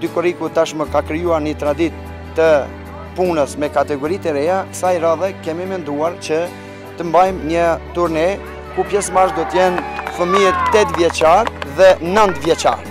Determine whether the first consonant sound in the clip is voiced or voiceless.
voiced